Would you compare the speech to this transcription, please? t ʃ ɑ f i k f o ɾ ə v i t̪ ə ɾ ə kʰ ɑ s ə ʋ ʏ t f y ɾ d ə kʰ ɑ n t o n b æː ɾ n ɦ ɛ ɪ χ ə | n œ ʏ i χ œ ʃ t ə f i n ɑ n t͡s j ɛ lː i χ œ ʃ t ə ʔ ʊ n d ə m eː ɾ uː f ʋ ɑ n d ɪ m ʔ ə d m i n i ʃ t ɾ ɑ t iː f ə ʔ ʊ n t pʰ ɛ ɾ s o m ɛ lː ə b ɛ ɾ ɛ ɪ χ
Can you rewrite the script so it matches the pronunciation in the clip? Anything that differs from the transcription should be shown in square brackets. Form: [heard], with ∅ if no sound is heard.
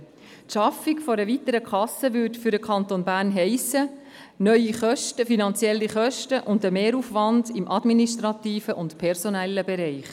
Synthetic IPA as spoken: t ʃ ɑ f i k f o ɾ ə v i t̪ ə ɾ ə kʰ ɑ s ə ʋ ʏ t f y ɾ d ə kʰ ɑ n t o n b æː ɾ n ɦ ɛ ɪ [s] ə | n œ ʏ i χ œ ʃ t ə f i n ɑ n t͡s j ɛ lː i χ œ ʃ t ə ʔ ʊ n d ə m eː ɾ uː f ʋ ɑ n d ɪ m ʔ [ɑ] d m i n i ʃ t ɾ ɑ t iː f ə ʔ ʊ n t pʰ ɛ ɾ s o [n] ɛ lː ə b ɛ ɾ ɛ ɪ χ